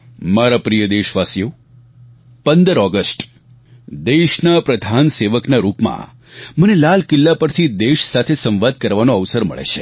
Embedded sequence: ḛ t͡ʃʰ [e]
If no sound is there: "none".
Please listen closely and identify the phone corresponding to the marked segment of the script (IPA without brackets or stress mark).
e